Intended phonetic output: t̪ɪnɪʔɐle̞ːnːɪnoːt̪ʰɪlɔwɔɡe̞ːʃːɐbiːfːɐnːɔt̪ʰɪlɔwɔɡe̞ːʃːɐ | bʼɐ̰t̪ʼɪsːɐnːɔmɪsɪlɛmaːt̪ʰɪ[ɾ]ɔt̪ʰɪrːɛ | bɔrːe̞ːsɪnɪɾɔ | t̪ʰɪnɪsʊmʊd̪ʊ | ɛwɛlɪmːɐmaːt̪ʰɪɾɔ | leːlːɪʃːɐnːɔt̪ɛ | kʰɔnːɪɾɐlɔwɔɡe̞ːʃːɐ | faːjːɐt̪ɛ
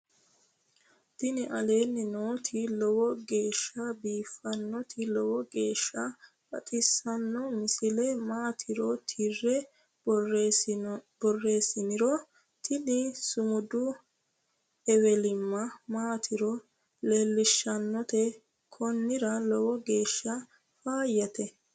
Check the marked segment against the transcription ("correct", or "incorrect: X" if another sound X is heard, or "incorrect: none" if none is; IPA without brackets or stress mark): correct